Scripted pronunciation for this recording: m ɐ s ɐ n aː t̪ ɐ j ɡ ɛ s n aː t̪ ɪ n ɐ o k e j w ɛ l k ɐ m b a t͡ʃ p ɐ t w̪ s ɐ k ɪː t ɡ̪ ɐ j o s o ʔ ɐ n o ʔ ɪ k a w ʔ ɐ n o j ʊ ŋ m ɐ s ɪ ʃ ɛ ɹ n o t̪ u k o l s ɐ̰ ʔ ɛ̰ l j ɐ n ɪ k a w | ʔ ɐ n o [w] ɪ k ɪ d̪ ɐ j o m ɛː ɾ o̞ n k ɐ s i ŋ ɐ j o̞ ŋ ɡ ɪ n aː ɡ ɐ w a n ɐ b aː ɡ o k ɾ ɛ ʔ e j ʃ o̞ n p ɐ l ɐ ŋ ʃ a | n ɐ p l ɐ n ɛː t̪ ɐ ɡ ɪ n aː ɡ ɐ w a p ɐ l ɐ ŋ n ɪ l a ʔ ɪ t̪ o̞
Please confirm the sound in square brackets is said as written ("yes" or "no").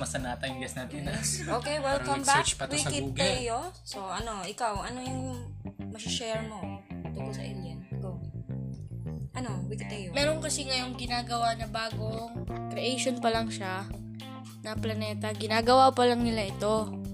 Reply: yes